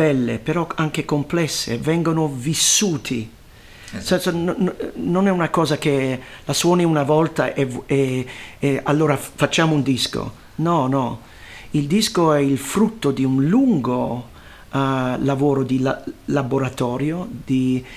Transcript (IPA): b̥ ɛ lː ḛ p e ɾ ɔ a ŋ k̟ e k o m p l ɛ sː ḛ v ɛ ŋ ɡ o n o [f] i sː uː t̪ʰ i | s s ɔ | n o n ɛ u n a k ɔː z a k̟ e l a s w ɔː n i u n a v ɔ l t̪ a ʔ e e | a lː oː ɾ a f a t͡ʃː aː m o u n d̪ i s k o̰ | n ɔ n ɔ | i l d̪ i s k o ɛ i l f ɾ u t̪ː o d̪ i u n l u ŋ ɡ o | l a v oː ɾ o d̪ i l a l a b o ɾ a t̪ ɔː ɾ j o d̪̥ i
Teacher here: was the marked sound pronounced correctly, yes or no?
no